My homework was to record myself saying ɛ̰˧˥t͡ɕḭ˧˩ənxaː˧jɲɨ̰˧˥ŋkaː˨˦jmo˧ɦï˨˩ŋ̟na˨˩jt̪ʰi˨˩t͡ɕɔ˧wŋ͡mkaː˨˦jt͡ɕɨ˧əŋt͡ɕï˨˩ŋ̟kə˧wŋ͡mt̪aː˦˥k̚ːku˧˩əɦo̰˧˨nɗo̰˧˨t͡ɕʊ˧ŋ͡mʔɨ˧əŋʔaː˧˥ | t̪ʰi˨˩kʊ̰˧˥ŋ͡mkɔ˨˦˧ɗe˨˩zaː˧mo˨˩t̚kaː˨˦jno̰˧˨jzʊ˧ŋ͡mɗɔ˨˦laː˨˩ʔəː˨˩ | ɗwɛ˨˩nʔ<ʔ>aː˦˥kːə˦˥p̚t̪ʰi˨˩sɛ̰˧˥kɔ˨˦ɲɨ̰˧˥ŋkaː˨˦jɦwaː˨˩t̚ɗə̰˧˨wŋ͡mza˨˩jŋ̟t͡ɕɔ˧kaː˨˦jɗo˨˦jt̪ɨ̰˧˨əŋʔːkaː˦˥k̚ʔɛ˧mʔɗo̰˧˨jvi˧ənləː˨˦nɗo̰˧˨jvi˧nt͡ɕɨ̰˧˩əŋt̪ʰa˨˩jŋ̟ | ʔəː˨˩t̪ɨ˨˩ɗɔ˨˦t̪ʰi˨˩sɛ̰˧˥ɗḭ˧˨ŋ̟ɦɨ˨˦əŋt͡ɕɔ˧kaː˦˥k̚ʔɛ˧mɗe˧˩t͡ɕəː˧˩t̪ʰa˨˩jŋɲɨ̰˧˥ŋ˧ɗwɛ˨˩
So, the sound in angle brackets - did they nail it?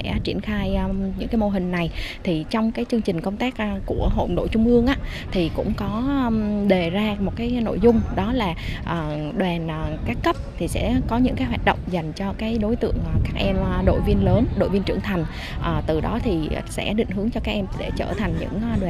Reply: no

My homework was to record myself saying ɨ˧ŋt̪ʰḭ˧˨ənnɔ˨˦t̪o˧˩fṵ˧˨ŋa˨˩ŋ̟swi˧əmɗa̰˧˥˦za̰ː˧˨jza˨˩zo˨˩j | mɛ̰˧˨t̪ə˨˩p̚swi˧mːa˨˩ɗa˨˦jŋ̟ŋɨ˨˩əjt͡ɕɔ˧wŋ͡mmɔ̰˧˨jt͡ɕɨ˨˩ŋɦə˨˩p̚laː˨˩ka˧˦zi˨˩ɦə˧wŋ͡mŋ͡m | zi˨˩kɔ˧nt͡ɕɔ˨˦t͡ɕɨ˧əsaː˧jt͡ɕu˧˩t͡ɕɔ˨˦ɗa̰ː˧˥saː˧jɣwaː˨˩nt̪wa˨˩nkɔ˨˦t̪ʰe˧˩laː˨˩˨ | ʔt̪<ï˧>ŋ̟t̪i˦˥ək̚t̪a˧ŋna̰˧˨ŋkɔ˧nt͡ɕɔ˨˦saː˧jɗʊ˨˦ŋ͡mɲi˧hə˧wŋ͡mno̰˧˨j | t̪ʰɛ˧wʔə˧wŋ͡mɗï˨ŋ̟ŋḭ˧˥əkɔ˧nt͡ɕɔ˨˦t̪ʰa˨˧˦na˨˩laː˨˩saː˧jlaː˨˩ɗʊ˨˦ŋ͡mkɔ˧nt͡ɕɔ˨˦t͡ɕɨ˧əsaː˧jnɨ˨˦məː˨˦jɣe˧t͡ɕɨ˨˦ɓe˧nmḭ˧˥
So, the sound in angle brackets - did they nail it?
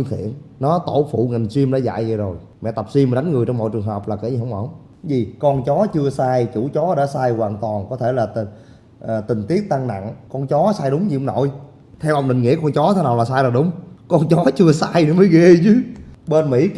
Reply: no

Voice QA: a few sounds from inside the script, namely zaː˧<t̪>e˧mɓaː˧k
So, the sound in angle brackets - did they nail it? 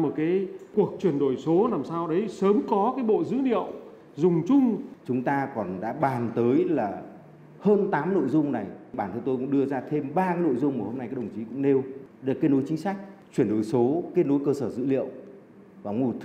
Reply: no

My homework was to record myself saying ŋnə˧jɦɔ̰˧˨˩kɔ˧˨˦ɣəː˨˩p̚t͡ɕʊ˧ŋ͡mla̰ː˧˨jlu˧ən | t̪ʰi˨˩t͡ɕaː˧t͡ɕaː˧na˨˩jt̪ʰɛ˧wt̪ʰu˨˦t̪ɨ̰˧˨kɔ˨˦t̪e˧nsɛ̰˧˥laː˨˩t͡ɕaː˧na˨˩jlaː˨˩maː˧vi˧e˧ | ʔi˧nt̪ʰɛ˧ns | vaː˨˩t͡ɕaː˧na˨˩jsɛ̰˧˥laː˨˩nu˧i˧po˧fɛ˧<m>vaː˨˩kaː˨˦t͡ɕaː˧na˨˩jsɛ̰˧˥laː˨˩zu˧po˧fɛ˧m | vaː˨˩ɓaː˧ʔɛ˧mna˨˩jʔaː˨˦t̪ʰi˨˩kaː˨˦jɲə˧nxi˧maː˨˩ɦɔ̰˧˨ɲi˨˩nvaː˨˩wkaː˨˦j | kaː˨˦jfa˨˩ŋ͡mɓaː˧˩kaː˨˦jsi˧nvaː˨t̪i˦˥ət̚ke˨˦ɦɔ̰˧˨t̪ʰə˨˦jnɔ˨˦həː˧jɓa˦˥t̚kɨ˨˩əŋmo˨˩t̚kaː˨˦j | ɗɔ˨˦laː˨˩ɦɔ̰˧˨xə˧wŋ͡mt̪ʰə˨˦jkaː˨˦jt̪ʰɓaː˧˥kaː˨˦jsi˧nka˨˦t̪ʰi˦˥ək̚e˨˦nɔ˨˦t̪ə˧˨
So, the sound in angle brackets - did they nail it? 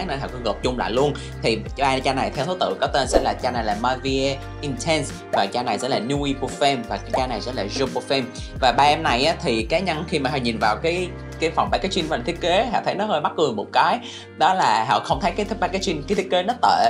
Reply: yes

